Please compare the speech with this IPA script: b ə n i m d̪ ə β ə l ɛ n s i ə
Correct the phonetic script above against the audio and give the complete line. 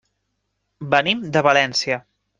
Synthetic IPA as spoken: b ə n i m d̪ ə β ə l ɛ n s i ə